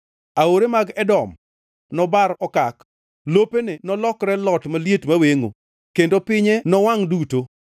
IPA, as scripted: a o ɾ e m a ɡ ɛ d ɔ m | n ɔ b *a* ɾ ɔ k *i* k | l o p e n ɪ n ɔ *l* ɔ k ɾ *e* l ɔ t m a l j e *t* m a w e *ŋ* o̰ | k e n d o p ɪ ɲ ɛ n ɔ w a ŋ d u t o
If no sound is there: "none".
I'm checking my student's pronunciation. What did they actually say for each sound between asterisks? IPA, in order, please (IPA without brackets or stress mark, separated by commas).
a, a, l, ɛ, t, ŋ